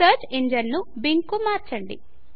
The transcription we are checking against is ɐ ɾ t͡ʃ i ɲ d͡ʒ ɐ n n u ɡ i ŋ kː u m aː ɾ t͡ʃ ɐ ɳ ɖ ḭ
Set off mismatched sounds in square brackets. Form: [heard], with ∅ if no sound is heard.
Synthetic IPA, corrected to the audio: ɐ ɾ t͡ʃ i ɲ d͡ʒ ɐ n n u [b] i ŋ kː u m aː ɾ t͡ʃ ɐ ɳ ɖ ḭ